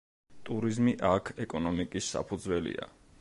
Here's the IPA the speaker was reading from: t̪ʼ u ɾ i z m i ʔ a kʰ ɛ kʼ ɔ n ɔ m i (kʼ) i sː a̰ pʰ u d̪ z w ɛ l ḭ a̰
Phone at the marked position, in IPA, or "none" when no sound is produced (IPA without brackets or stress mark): kʼ